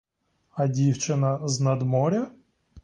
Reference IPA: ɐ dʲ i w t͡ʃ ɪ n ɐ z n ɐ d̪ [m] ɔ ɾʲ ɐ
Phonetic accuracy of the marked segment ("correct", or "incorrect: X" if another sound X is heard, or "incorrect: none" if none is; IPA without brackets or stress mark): correct